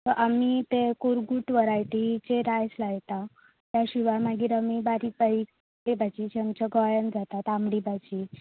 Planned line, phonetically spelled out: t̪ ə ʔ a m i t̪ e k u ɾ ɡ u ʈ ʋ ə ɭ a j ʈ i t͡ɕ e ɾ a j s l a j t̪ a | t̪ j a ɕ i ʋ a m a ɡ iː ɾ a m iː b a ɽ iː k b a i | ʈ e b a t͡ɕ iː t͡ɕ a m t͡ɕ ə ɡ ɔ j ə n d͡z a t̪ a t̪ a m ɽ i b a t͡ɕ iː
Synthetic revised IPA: t̪ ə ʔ a m i t̪ e k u ɾ ɡ u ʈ ʋ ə ɾ a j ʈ i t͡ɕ e ɾ a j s l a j t̪ a | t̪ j a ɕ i ʋ a m a ɡ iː ɾ a m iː b a ɾ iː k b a i | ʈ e b a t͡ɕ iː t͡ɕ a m t͡ɕ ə ɡ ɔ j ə n d͡z a t̪ a t̪ a m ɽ i b a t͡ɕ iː

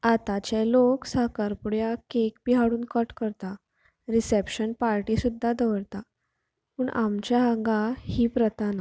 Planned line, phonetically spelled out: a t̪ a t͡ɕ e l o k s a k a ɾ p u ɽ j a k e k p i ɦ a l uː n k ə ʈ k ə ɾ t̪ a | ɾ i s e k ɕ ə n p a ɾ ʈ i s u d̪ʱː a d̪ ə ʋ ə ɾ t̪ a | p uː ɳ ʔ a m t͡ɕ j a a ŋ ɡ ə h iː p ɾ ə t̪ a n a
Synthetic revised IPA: a t̪ a t͡ɕ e l o k s a k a ɾ p u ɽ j a k e k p i ɦ a ɽ uː n k ə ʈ k ə ɾ t̪ a | ɾ i s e p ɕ ə n p a ɾ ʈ i s u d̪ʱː a d̪ ə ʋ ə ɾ t̪ a | p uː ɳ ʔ a m t͡ɕ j a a ŋ ɡ a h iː p ɾ ə t̪ a n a

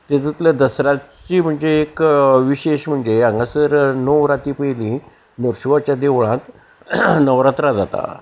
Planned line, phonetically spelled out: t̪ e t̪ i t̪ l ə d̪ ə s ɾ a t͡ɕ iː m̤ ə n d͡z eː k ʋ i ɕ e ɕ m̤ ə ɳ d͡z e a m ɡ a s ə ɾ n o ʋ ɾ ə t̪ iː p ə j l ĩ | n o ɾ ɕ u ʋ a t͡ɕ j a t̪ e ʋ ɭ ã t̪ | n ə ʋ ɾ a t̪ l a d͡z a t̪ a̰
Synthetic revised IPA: t̪ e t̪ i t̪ l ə d̪ ə s ɾ a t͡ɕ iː m̤ ə ɳ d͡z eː k ʋ i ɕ e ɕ m̤ ə ɳ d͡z e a ŋ ɡ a s ə ɾ n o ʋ ɾ a t̪ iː p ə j l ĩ | n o ɾ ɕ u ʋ a t͡ɕ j a d̪ e ʋ ɭ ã t̪ | n ə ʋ ɾ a t̪ ɾ a d͡z a t̪ a̰

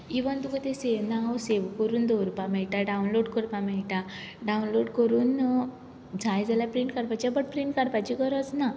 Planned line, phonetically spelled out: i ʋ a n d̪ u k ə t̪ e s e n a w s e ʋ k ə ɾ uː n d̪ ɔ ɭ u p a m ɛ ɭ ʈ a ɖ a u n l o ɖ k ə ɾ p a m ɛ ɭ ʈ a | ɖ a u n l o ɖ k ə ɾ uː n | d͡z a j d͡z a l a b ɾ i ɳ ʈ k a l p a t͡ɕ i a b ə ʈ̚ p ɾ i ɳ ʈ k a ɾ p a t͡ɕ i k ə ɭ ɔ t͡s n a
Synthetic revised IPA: i ʋ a n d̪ u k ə t̪ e s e n a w s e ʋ k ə ɾ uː n d̪ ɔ ɾ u p a m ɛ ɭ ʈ a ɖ a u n l o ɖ k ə ɾ p a m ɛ ɭ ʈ a | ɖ a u n l o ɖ k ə ɾ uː n | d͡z a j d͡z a l a p ɾ i ɳ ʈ k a ɾ p a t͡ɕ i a b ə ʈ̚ p ɾ i ɳ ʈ k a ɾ p a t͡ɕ i k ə ɾ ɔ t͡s n a

